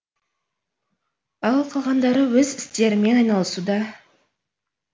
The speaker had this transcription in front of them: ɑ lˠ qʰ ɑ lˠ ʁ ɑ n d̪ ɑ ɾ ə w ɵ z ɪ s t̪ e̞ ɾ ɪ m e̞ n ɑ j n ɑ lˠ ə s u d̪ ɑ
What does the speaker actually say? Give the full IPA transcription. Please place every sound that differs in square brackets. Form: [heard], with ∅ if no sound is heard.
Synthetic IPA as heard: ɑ lˠ qʰ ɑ lˠ ʁ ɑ n d̪ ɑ ɾ ə w ɵ z ɪ s t̪ e̞ ɾ ɪ m e̞ n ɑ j n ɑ lˠ ə s u d̪ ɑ